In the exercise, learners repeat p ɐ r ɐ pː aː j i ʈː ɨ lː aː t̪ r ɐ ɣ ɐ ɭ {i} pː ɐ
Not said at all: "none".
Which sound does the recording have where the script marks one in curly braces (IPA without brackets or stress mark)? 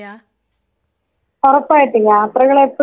e